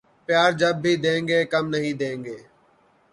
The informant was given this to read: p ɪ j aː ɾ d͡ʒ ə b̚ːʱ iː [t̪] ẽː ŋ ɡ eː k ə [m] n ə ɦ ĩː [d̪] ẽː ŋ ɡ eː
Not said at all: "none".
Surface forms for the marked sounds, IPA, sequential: d̪, m, d̪

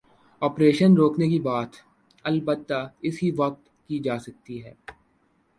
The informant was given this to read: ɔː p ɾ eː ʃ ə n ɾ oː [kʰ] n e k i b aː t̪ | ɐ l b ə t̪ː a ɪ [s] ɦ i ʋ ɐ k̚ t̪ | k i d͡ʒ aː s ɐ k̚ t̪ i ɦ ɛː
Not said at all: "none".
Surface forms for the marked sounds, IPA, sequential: k, s

